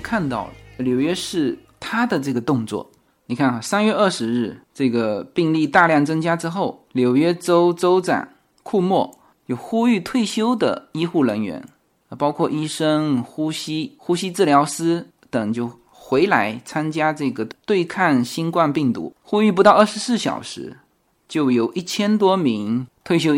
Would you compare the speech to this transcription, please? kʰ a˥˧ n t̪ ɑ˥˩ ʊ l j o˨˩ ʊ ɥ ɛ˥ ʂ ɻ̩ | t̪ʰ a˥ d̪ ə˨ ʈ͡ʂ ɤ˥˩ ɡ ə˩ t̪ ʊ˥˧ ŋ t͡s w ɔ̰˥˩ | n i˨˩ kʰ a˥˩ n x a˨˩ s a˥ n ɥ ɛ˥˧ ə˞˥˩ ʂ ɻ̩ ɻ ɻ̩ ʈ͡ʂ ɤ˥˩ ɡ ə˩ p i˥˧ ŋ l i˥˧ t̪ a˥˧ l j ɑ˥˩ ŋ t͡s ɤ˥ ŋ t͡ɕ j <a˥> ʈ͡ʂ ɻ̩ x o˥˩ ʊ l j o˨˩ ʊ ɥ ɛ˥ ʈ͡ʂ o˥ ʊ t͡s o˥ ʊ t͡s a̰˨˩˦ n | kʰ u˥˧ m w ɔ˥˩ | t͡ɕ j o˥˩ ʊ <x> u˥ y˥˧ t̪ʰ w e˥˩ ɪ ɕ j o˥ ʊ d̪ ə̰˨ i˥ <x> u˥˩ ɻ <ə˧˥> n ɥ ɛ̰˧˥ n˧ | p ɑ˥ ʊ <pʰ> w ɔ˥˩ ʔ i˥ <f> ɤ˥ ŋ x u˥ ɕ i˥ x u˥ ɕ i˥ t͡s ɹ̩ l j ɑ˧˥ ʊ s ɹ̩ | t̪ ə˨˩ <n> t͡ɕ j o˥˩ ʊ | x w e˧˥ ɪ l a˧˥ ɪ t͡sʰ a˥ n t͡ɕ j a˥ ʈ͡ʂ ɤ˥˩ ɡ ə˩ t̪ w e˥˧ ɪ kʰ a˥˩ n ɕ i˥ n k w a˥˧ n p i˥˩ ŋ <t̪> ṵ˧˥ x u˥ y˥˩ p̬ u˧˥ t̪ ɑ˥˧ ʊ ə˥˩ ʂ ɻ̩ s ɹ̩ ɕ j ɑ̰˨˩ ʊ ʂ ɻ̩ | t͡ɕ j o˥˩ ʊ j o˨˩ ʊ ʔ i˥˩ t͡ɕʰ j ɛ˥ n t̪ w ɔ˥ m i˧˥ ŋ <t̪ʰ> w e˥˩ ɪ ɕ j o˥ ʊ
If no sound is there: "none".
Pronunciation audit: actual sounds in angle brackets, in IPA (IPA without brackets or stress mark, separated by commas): a˥, x, x, ə˧˥, kʰ, ʂ, ŋ, t̪, t̪ʰ